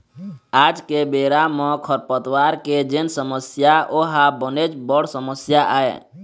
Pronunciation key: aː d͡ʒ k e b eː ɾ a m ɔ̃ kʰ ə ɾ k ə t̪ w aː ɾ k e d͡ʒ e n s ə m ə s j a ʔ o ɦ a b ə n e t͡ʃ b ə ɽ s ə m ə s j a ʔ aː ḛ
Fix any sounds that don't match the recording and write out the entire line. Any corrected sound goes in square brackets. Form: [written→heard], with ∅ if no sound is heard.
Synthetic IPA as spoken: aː d͡ʒ k e b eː ɾ a m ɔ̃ kʰ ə ɾ [k→p] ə t̪ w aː ɾ k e d͡ʒ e n s ə m ə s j a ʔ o ɦ a b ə n e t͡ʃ b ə ɽ s ə m ə s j a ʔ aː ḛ

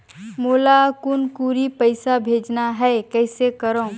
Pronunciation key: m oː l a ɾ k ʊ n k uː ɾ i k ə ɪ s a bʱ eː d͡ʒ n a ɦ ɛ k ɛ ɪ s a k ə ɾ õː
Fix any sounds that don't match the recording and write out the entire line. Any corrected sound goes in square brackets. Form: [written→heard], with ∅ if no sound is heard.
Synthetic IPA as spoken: m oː l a [ɾ→∅] k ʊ n k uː ɾ i [k→p] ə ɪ s a bʱ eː d͡ʒ n a ɦ ɛ k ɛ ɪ s [a→e] k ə ɾ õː

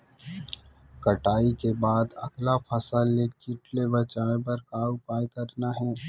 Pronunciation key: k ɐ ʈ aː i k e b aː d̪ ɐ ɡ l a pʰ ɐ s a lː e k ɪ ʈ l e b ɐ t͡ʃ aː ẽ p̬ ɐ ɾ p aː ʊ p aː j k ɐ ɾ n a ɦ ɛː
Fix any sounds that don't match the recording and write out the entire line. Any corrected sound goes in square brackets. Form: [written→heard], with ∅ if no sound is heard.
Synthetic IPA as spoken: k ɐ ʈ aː i k e b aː d̪ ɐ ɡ l a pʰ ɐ s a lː e k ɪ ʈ l e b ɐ t͡ʃ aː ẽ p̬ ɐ ɾ [p→k] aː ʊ p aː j k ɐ ɾ n a ɦ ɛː

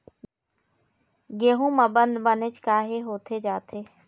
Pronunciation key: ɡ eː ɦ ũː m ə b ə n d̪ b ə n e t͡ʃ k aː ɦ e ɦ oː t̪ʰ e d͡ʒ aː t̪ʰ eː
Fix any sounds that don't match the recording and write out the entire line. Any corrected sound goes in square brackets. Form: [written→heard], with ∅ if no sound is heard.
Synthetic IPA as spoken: ɡ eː ɦ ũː m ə b ə n d̪ b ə n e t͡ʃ k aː ɦ e ɦ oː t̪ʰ e d͡ʒ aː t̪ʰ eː

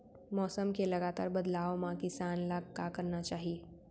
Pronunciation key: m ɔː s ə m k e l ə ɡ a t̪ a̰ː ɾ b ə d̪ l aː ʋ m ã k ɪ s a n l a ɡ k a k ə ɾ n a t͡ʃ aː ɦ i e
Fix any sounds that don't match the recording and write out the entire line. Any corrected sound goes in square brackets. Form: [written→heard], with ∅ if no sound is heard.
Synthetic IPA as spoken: m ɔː s ə m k e l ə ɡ a t̪ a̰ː ɾ b ə d̪ l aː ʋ m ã k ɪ s a n l a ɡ k a k ə ɾ n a t͡ʃ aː ɦ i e

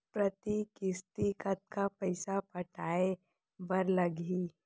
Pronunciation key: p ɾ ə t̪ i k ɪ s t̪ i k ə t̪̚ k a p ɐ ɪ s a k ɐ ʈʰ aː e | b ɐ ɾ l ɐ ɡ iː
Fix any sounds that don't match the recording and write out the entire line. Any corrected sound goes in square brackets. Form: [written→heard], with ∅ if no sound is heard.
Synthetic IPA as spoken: p ɾ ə t̪ i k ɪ s t̪ i k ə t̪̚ k a p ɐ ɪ s a [k→p] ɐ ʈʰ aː e | b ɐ ɾ l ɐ ɡ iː

